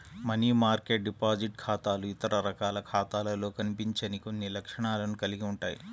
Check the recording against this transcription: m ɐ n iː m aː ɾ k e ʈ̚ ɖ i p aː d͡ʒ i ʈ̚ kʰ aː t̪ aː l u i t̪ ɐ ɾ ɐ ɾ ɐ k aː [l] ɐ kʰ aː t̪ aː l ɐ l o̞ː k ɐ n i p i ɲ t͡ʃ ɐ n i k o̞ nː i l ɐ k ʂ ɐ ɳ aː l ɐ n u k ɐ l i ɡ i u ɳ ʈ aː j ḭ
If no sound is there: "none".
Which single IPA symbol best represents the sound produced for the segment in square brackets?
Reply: l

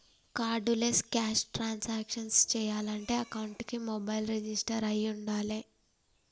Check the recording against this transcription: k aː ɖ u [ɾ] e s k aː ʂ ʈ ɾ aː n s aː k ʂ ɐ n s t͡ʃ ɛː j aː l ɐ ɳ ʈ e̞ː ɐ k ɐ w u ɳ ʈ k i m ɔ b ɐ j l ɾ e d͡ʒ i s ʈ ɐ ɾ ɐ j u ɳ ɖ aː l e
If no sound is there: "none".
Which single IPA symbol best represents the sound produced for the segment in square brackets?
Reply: l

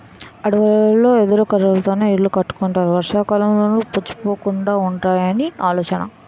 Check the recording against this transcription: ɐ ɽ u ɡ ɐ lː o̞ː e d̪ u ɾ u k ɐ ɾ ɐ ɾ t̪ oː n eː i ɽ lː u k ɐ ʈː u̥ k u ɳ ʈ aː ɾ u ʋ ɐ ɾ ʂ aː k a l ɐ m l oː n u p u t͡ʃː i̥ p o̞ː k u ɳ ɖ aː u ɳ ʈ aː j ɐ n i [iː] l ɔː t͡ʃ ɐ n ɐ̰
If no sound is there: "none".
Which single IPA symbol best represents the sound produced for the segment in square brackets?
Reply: aː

